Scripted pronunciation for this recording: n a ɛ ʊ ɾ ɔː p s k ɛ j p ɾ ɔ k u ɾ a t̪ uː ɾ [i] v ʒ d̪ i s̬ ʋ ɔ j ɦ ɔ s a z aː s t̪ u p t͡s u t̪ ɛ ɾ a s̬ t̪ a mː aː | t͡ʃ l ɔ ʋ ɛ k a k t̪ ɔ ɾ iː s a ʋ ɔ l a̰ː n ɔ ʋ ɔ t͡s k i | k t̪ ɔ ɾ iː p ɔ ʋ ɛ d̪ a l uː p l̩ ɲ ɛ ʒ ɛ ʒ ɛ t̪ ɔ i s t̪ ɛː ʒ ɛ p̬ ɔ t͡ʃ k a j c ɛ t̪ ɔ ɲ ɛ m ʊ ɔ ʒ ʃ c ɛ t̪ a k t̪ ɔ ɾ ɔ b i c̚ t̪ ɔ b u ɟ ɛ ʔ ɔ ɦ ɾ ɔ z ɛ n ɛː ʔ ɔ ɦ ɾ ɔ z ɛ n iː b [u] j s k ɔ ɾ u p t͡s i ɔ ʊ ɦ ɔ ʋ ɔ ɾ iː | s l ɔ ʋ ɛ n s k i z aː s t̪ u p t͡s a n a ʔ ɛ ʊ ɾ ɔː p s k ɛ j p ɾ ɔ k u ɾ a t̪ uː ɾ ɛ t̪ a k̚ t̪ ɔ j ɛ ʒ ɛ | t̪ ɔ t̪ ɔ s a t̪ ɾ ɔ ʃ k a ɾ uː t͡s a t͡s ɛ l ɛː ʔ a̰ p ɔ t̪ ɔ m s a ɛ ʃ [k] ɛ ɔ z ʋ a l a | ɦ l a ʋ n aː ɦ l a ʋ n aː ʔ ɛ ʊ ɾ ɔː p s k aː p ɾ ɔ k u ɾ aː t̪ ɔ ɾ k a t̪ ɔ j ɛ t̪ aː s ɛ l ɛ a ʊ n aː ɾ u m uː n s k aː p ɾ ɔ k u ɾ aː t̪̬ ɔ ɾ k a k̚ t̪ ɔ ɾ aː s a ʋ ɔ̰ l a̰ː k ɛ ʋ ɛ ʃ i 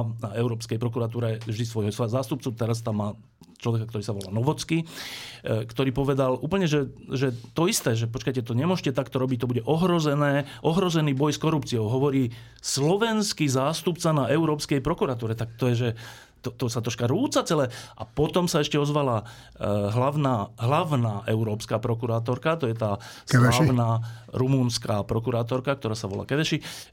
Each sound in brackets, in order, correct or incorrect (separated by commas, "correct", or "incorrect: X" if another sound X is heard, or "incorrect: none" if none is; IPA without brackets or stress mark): incorrect: ɛ, incorrect: ɔ, incorrect: c